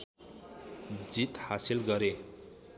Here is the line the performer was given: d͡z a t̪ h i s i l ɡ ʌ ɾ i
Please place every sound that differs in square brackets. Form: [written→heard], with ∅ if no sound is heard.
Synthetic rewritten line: d͡z [a→i] t̪ h [i→a] s i l ɡ ʌ ɾ [i→e]